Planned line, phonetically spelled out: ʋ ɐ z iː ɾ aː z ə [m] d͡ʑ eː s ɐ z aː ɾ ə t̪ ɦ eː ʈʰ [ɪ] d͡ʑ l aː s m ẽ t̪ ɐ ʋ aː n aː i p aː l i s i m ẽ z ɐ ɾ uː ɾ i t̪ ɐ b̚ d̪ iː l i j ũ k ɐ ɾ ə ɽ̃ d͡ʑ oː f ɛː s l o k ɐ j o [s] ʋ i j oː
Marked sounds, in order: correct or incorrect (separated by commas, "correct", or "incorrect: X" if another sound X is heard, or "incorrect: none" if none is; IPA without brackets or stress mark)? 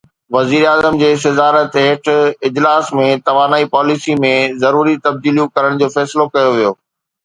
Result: correct, correct, incorrect: none